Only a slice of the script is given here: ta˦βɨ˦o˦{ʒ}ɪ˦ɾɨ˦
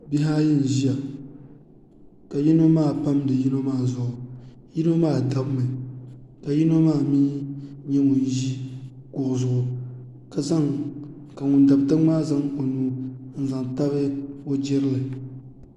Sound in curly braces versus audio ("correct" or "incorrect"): incorrect